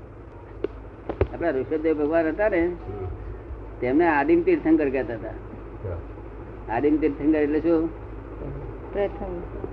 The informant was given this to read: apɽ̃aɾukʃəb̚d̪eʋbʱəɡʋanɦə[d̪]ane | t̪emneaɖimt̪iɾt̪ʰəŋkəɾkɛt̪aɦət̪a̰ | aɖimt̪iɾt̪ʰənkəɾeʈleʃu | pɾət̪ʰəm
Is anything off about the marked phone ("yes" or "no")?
yes